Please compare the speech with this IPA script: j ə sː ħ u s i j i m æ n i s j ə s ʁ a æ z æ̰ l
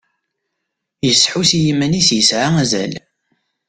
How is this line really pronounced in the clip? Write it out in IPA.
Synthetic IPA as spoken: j ə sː ħ u s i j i m æ n i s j ə s ʕ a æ z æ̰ l